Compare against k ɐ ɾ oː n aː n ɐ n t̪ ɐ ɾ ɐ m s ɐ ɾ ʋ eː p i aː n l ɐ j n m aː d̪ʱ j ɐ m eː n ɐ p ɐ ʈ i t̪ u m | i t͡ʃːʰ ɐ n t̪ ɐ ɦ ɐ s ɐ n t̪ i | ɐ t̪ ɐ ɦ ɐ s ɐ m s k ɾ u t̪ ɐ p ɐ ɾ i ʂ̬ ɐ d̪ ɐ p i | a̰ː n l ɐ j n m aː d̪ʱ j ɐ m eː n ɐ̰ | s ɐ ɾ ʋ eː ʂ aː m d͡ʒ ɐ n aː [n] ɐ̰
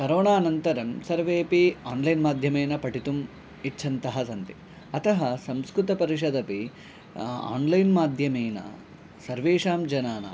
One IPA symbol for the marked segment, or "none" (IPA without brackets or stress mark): n